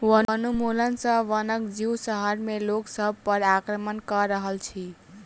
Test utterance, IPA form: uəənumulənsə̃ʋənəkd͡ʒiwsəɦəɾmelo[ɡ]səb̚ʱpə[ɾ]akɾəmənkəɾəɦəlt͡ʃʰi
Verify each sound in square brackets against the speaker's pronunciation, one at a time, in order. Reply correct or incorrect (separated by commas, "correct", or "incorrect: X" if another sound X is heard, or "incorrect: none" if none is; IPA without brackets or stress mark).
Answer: incorrect: k, correct